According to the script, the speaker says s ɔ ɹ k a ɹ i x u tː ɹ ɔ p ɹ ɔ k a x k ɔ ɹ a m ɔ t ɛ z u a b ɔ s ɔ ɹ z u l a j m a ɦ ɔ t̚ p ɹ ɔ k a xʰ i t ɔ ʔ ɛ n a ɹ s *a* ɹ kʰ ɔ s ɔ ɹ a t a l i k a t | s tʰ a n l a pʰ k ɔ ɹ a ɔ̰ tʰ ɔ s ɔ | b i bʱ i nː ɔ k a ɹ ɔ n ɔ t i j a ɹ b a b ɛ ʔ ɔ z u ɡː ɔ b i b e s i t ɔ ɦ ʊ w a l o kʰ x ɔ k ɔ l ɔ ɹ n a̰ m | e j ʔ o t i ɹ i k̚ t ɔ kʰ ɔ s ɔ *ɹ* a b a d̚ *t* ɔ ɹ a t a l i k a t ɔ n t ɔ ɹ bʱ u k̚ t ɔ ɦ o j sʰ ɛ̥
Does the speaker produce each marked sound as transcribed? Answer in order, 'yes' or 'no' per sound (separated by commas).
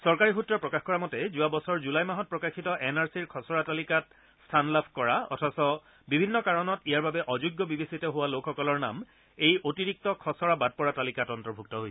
no, yes, no